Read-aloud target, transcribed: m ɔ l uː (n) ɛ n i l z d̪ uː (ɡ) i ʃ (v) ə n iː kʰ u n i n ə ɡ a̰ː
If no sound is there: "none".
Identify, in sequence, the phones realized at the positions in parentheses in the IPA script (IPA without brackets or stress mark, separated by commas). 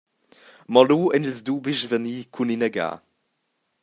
none, b, v